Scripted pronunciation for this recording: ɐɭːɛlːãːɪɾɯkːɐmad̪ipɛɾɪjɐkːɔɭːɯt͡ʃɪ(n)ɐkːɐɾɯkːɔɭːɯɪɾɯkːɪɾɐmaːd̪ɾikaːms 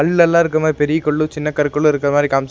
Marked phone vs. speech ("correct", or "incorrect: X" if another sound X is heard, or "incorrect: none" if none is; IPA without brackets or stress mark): incorrect: nː